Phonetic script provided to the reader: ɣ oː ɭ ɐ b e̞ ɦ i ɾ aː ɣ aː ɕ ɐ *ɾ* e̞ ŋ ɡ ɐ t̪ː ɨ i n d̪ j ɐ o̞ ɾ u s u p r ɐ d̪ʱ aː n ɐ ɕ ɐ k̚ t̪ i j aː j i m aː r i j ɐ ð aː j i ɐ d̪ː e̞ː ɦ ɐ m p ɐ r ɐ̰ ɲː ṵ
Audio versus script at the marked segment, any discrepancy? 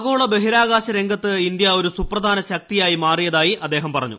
no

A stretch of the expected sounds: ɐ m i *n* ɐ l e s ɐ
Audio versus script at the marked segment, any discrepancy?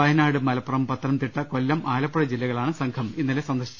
yes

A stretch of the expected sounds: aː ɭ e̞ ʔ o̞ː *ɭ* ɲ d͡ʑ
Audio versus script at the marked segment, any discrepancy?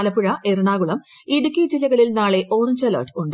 yes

